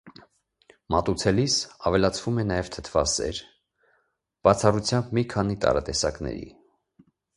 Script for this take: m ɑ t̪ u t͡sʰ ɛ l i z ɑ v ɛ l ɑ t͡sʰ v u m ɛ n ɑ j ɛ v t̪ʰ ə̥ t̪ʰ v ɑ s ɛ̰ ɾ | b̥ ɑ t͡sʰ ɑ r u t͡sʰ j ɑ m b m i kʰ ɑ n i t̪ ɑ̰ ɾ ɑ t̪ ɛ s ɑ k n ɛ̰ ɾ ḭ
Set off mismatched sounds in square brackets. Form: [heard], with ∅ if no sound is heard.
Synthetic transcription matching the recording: m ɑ t̪ u t͡sʰ ɛ l i [s] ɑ v ɛ l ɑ t͡sʰ v u m ɛ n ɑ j ɛ v t̪ʰ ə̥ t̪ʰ v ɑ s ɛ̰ ɾ | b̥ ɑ t͡sʰ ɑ r u t͡sʰ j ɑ m b m i kʰ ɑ n i t̪ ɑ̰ ɾ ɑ t̪ ɛ s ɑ k n ɛ̰ ɾ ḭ